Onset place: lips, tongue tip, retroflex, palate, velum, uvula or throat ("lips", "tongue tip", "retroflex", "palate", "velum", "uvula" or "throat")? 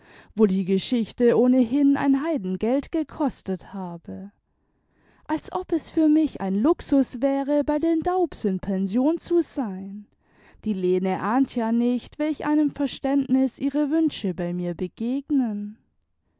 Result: lips